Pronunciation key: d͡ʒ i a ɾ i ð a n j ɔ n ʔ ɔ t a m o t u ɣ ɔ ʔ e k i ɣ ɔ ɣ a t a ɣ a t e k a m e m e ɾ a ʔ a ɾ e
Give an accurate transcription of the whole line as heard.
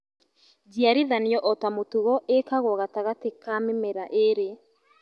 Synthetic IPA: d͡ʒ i a ɾ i ð a n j ɔ ʔ ɔ t a m o t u ɣ ɔ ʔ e k a ɣ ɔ ɣ a t a ɣ a t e k a m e m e ɾ a ʔ e ɾ e